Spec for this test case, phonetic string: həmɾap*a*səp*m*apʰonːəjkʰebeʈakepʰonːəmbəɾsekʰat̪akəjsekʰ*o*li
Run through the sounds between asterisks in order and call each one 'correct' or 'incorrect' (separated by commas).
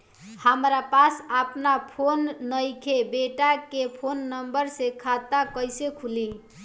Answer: correct, incorrect, incorrect